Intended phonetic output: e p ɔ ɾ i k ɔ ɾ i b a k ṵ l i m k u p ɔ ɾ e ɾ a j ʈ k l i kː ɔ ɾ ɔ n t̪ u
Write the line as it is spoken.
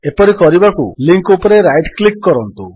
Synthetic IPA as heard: e p ɔ ɾ i k ɔ ɾ i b a k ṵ l i ŋ k u p ɔ ɾ e ɾ a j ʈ k l i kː ɔ ɾ ɔ n t̪ u

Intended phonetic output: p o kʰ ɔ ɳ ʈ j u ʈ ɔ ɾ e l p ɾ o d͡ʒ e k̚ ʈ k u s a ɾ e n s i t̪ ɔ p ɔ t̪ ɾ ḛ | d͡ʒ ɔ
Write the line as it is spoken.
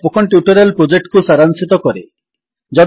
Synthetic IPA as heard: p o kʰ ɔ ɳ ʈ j u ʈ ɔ ɾ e l p ɾ o d͡ʒ e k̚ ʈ k u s a ɾ a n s i t̪ ɔ k ɔ ɾ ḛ | d͡ʒ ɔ

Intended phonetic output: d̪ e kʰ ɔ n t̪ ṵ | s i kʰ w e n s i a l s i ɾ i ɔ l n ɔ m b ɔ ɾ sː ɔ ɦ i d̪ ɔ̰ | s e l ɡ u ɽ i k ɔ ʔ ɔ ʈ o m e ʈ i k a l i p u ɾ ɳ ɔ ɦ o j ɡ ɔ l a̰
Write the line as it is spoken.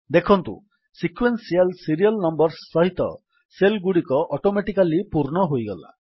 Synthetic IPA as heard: d̪ e kʰ ɔ n t̪ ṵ | s i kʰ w e n s i a l s i ɾ i ɔ l n ɔ m b ɔ ɾ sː ɔ ɦ i t̪ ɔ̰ | s e l ɡ u ɽ i k ɔ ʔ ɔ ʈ o m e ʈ i k a l i p u ɾ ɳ ɔ ɦ o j ɡ ɔ l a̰

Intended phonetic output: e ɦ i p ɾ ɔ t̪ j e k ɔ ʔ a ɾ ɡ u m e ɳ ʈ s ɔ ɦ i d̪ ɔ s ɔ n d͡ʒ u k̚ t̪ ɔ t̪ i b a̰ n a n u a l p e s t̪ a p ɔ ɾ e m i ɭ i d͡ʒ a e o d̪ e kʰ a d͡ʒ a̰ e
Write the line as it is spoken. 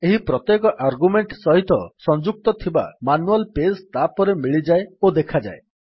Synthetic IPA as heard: e ɦ i p ɾ ɔ t̪ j e k ɔ ʔ a ɾ ɡ u m e ɳ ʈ s ɔ ɦ i t̪ ɔ s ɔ n d͡ʒ u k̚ t̪ ɔ t̪ʰ i b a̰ m a n u a l p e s t̪ a p ɔ ɾ e m i ɭ i d͡ʒ a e o d̪ e kʰ a d͡ʒ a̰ e

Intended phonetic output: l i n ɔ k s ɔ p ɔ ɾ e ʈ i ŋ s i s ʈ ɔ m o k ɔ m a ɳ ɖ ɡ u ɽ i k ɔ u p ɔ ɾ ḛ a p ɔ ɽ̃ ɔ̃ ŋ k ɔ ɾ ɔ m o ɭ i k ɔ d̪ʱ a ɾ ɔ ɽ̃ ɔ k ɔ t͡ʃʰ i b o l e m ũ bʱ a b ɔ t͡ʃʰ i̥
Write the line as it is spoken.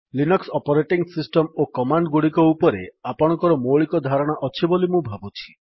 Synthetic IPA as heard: l i n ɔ k s ɔ p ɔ ɾ e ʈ i ŋ s i s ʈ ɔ m o k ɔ m a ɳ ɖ ɡ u ɽ i k ɔ u p ɔ ɾ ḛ a p ɔ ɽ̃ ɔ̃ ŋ k ɔ ɾ ɔ m o ɭ i k ɔ d̪ʱ a ɾ ɔ ɽ̃ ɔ ʔ ɔ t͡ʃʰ i b o l i m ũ bʱ a b u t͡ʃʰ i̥

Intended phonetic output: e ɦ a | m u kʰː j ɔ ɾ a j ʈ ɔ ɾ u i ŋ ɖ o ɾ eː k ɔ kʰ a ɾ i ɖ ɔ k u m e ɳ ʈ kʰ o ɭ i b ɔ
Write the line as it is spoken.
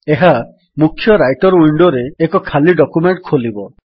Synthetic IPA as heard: e ɦ a | m u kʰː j ɔ ɾ a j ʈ ɔ ɾ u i ɳ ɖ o ɾ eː k ɔ kʰ a l i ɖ ɔ k u m e ɳ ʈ kʰ o l i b ɔ

